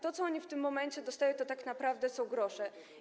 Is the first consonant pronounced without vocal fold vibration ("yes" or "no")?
yes